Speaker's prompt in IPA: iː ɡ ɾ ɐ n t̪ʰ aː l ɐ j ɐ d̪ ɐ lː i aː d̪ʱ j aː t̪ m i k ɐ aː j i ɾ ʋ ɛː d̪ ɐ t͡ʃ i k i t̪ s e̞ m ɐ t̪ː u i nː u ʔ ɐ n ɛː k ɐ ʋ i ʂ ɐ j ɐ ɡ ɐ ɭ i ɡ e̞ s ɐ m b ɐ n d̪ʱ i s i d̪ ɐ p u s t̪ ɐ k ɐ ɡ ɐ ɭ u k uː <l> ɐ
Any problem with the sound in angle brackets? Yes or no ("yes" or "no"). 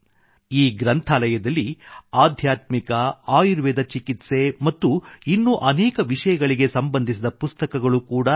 yes